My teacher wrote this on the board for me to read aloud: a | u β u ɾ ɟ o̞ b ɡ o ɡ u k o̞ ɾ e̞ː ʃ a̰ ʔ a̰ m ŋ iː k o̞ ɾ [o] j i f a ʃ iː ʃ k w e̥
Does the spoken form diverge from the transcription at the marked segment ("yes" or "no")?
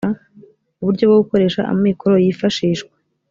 no